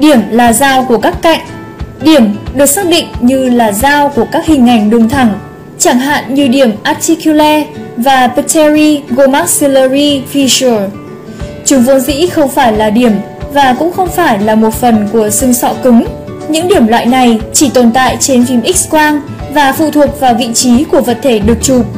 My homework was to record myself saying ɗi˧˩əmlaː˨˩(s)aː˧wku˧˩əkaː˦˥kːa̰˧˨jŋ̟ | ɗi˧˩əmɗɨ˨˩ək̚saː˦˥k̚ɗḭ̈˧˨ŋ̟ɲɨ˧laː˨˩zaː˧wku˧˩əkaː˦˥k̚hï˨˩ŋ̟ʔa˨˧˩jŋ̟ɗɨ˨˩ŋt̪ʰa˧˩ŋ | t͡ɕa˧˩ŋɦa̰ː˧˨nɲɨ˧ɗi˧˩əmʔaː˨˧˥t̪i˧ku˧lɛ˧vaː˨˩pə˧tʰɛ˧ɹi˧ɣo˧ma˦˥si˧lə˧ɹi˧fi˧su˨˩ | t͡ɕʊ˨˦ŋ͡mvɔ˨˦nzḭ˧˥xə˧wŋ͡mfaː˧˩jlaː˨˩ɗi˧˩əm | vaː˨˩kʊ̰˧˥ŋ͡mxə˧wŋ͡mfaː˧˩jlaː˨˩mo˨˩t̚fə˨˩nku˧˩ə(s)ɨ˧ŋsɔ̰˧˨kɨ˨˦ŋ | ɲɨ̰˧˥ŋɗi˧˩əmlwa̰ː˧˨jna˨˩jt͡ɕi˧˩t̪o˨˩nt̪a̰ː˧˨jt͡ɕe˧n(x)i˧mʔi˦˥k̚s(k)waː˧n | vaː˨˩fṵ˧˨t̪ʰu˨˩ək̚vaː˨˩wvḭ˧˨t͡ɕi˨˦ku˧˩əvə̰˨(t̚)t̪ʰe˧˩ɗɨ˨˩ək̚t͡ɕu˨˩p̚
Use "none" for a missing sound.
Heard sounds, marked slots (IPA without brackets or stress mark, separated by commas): z, s, f, k, t̚